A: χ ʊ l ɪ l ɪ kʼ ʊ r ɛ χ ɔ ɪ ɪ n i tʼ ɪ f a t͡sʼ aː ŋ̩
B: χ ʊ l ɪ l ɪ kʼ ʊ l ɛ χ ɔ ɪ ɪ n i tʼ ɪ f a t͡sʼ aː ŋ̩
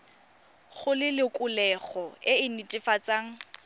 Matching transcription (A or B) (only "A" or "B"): B